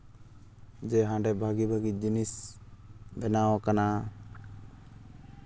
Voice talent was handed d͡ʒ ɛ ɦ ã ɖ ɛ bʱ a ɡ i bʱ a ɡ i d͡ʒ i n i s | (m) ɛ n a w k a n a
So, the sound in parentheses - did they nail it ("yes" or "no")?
no